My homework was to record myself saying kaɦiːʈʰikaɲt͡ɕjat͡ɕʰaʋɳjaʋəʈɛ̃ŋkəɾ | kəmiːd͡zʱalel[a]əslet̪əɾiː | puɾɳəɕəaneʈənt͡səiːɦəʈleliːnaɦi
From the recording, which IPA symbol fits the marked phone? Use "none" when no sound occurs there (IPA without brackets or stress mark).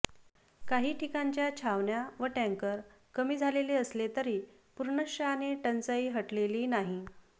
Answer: e